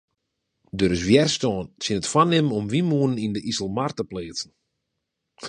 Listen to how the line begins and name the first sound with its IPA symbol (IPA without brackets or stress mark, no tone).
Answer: d